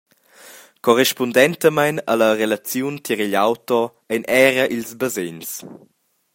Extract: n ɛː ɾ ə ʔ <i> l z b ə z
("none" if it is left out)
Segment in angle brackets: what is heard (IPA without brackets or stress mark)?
i